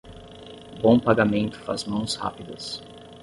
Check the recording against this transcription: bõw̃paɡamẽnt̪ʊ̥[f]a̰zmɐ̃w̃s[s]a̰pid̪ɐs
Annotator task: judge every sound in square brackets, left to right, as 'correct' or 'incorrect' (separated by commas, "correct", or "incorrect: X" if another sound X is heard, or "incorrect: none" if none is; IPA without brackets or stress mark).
correct, incorrect: h